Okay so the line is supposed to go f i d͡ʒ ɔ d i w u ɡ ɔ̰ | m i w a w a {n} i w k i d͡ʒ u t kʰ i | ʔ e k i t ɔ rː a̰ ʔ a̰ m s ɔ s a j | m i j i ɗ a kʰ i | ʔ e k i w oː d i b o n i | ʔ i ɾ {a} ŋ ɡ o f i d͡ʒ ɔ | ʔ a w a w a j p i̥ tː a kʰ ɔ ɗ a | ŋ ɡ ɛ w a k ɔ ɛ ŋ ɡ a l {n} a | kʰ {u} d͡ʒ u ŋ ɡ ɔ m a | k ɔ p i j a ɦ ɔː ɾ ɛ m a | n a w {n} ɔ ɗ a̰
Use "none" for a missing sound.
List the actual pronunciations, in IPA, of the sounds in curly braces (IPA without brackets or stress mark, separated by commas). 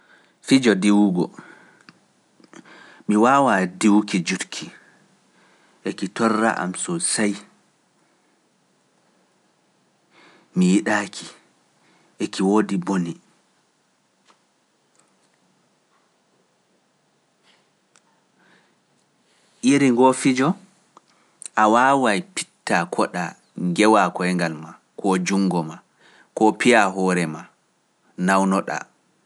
d, i, m, ɔ, n